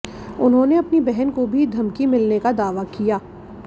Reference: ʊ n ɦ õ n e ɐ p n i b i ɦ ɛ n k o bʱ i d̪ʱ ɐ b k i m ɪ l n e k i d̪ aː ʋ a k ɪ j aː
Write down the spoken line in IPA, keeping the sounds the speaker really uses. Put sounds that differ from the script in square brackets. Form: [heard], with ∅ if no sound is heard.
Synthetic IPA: ʊ n ɦ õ n e ɐ p n i b [ɛ] ɦ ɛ n k o bʱ i d̪ʱ ɐ [m] k i m ɪ l n e k [a] d̪ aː ʋ a k [i] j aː

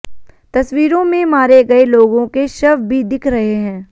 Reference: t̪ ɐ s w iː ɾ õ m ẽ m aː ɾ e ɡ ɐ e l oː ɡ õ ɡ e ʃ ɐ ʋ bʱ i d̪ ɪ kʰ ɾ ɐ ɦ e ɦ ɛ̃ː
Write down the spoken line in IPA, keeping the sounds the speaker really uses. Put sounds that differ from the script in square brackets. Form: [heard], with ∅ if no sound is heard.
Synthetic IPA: t̪ ɐ s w iː ɾ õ m ẽ m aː ɾ e ɡ ɐ e l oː ɡ õ [k] e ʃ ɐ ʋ bʱ i d̪ ɪ kʰ ɾ ɐ ɦ e ɦ ɛ̃ː

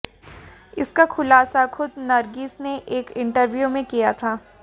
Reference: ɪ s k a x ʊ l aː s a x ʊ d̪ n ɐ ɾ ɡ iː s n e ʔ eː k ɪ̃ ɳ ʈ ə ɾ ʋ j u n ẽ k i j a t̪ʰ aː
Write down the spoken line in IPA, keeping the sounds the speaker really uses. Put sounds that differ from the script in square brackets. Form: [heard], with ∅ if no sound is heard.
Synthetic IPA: ɪ s k a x ʊ l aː s a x ʊ d̪ n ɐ ɾ ɡ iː s n e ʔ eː k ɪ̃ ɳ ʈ ə ɾ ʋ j u [m] ẽ k i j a t̪ʰ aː

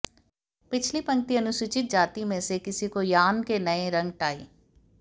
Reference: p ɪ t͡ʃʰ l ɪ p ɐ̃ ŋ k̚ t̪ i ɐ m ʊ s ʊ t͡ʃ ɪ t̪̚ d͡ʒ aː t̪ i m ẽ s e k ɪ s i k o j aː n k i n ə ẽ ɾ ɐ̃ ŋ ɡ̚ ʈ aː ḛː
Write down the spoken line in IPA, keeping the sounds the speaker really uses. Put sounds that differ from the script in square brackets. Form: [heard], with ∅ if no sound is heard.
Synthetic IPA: p ɪ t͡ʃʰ l [i] p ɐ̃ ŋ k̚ t̪ i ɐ [n] ʊ s ʊ t͡ʃ ɪ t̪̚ d͡ʒ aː t̪ i m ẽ s e k ɪ s i k o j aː n k [e] n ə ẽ ɾ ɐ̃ ŋ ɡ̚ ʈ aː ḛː

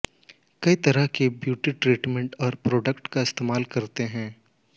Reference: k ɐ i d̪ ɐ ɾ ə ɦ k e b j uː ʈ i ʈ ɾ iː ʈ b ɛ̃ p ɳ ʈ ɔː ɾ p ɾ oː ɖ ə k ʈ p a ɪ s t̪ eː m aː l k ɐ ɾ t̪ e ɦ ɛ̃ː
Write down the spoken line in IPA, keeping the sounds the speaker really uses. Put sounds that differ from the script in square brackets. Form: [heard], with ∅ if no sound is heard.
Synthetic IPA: k ɐ i [t̪] ɐ ɾ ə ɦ k e b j uː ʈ i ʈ ɾ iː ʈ [m] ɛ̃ [∅] ɳ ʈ ɔː ɾ p ɾ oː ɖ ə k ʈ [k] a ɪ s t̪ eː m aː l k ɐ ɾ t̪ e ɦ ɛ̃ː

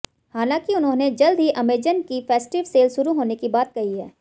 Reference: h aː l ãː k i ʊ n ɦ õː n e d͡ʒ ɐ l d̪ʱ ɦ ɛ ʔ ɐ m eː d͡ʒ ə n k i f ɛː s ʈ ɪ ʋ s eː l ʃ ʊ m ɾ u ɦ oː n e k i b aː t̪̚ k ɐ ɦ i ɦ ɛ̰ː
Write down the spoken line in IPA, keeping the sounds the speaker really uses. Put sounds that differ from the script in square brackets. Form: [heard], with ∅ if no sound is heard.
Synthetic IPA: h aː l ãː k i ʊ n ɦ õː n e d͡ʒ ɐ l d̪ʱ ɦ [i] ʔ ɐ m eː d͡ʒ ə n k i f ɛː s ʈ ɪ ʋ s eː l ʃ ʊ [∅] ɾ u ɦ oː n e k i b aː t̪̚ k ɐ ɦ i ɦ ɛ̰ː

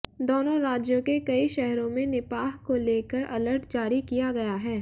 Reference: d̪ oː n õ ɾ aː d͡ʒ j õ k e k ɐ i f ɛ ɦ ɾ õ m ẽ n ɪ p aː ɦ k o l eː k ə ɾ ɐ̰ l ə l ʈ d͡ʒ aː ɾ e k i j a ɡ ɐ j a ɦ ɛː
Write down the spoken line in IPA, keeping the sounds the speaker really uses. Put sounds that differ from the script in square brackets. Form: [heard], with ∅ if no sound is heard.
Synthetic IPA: d̪ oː n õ ɾ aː d͡ʒ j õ k e k ɐ i [ʃ] ɛ ɦ ɾ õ m ẽ n ɪ p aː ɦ k o l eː k ə ɾ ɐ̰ l ə [ɾ] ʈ d͡ʒ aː ɾ [i] k i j a ɡ ɐ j a ɦ ɛː

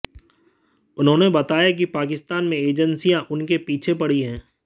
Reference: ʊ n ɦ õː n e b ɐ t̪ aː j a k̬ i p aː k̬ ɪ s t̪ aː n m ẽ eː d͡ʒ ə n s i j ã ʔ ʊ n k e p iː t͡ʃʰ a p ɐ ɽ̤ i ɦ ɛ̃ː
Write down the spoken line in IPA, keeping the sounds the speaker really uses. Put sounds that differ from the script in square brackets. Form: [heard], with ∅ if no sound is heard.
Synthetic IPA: ʊ n ɦ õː n e b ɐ t̪ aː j a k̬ i p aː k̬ ɪ s t̪ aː n m ẽ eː d͡ʒ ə n s i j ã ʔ ʊ n k e p iː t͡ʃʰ [e] p ɐ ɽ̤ i ɦ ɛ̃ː

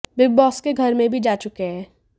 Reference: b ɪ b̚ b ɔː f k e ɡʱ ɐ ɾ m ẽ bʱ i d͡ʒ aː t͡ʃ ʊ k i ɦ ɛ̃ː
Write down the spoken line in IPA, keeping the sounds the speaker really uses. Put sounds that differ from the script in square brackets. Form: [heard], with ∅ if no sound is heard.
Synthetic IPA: b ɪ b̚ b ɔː [s] k e ɡʱ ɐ ɾ m ẽ bʱ i d͡ʒ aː t͡ʃ ʊ k [e] ɦ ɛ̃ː

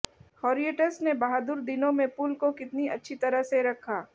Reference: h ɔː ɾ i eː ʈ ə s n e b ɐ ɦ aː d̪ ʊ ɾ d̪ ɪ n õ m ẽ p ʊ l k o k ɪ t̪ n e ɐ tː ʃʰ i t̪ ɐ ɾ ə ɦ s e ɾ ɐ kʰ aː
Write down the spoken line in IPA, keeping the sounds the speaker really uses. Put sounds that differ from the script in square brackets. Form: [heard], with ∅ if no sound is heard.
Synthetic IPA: h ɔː ɾ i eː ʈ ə s n e b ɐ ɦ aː d̪ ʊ ɾ d̪ ɪ n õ m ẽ p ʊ l k o k ɪ t̪ n [i] ɐ tː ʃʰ i t̪ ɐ ɾ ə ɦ s e ɾ ɐ kʰ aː

